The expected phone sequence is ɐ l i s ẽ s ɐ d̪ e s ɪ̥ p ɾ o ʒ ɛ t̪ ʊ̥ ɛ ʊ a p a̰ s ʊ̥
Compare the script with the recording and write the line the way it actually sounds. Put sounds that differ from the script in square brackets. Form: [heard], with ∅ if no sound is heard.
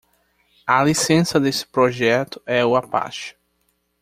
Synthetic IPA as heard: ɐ l i s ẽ s ɐ d̪ e s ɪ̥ p ɾ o ʒ ɛ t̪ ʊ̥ ɛ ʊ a p a̰ [ʃ] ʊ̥